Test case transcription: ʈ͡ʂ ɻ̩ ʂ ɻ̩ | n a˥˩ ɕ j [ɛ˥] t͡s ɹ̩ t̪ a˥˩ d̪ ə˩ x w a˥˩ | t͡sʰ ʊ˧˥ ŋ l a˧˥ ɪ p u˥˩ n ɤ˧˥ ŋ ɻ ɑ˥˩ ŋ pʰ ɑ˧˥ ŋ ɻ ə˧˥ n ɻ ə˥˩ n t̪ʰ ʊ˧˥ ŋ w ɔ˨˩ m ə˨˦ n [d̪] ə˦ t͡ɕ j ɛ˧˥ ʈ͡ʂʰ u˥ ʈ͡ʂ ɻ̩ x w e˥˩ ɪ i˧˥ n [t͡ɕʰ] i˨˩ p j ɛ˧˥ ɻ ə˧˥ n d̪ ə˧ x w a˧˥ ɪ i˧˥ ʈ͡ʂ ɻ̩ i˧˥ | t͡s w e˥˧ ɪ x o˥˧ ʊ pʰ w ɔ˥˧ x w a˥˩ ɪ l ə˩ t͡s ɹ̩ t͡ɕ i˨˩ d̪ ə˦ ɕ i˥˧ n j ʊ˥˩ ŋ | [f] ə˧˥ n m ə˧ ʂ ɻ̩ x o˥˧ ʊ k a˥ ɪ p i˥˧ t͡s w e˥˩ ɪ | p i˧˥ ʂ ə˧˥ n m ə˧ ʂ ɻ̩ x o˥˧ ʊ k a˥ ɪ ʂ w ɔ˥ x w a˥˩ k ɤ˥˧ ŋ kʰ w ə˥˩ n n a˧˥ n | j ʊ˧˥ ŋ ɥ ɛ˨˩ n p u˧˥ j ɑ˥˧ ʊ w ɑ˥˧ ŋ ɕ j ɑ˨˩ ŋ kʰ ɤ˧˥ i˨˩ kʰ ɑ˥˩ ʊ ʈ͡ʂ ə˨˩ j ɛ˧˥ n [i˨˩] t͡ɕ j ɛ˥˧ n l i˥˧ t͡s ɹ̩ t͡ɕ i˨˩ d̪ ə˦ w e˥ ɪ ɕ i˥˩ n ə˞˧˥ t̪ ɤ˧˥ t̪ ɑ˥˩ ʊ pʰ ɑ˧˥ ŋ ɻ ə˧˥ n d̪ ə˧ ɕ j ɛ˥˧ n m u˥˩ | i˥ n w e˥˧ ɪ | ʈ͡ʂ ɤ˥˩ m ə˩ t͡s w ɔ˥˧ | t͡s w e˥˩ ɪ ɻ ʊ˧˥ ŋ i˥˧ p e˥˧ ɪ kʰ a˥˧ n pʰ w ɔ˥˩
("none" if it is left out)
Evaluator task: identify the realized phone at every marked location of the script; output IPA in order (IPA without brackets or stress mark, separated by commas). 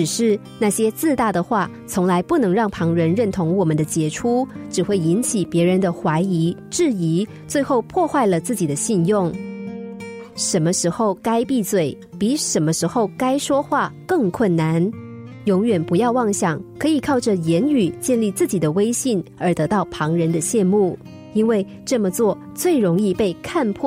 ɛ˥, d̪, t͡ɕʰ, ʂ, y˨˩